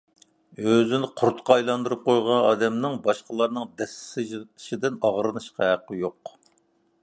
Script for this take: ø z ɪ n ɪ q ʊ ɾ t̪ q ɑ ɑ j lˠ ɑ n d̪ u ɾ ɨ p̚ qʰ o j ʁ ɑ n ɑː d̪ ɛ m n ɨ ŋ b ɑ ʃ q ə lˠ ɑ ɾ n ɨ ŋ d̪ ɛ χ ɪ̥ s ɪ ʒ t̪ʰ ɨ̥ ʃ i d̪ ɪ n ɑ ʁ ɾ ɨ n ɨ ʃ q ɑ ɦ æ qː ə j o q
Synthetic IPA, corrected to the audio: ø z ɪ n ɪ qʰ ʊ ɾ t̪ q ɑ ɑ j lˠ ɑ n d̪ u ɾ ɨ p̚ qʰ o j ʁ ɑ n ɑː d̪ ɛ m n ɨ ŋ b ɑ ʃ q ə lˠ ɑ ɾ n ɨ ŋ d̪ ɛ s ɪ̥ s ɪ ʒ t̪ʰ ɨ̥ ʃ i d̪ ɪ n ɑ ʁ ɾ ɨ n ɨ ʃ q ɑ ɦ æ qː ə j o q